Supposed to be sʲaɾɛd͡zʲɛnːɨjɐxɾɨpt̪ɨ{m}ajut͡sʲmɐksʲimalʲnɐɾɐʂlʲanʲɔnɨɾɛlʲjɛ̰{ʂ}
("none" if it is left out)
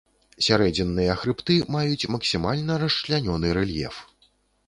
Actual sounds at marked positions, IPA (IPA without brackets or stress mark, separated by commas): m, f